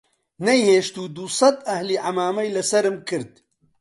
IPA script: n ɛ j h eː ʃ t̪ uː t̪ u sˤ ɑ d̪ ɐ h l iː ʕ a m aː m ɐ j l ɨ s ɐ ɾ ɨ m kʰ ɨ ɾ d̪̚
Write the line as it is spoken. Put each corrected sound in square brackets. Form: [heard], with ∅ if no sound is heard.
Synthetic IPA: n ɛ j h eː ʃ t̪ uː [d̪] u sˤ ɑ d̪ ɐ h l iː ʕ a m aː m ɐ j l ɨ s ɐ ɾ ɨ m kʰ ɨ ɾ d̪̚